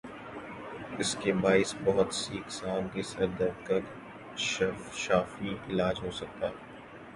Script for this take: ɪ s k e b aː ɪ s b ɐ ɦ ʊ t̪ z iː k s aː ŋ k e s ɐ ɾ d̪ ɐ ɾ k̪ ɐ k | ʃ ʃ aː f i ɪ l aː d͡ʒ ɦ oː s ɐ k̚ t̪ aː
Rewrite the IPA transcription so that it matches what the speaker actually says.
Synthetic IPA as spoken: ɪ s k e b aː ɪ s b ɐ ɦ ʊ t̪ s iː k s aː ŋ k e s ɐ ɾ d̪ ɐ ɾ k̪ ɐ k | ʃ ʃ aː f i ɪ l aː d͡ʒ ɦ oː s ɐ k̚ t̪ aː